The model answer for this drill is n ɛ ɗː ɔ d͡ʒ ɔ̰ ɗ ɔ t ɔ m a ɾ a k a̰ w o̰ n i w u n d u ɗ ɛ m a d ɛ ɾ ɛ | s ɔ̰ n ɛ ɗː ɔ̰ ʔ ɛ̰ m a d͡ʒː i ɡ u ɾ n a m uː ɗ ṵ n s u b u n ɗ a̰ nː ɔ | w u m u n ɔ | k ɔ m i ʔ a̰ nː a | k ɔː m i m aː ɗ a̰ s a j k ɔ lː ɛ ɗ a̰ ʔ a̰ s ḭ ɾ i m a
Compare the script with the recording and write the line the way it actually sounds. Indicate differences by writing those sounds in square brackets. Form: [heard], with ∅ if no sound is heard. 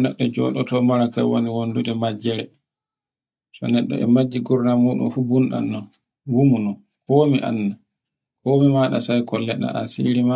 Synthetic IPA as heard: n ɛ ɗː ɔ d͡ʒ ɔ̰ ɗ ɔ t ɔ m a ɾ a k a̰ w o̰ n i w [o] n d u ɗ ɛ m a [d͡ʒ] ɛ ɾ ɛ | s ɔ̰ n ɛ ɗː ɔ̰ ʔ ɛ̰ m a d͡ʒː i ɡ u ɾ n a m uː ɗ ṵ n [f] u b u n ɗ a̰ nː ɔ | w u m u n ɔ | k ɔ m i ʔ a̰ nː a | k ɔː m i m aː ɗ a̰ s a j k ɔ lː ɛ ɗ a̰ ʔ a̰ s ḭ ɾ i m a